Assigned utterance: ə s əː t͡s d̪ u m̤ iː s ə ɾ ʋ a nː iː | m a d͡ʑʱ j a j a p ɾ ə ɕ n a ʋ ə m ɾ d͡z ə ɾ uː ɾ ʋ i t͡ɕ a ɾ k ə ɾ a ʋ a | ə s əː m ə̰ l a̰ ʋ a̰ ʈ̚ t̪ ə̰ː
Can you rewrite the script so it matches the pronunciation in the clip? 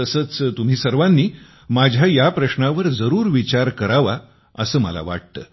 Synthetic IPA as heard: ə s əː t͡s t̪ u m̤ iː s ə ɾ ʋ a nː iː | m a d͡ʑʱ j a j a p ɾ ə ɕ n a ʋ ə ɾ d͡z ə ɾ uː ɾ ʋ i t͡ɕ a ɾ k ə ɾ a ʋ a | ə s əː m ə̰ l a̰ ʋ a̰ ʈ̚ t̪ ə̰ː